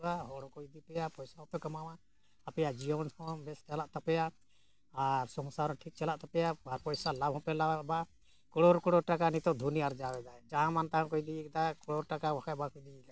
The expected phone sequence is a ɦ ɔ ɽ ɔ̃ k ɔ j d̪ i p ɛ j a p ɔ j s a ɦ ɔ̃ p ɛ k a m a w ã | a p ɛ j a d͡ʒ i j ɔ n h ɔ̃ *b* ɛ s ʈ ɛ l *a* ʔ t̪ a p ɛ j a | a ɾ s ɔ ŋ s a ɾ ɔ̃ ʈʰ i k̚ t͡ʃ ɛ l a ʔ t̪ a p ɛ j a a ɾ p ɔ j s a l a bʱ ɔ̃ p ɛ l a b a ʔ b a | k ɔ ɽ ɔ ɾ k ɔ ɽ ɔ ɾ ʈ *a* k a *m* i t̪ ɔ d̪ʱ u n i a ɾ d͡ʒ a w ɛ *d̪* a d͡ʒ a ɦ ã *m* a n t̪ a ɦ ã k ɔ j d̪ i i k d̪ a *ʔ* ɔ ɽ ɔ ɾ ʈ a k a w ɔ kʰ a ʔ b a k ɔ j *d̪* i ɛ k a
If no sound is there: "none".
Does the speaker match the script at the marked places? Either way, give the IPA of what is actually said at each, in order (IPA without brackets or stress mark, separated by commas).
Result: b, a, a, n, d̪, m, k, d̪